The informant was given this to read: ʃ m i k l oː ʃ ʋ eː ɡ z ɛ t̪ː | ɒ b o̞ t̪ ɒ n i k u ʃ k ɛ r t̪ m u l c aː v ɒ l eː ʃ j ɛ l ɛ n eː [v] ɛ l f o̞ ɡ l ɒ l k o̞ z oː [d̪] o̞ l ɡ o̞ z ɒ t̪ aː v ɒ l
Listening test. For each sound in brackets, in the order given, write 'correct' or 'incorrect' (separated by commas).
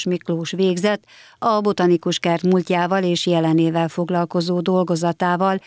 correct, correct